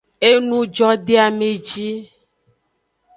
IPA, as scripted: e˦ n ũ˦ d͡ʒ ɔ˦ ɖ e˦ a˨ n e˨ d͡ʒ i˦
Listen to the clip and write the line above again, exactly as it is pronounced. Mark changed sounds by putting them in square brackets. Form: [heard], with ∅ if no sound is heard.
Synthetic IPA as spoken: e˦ n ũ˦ d͡ʒ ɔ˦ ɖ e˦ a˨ [m] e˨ d͡ʒ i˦